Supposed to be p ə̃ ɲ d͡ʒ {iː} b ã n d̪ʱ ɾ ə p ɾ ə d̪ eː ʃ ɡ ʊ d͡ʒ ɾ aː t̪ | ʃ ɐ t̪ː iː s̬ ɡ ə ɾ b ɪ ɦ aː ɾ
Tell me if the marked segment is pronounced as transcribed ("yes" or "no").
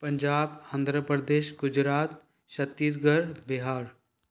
no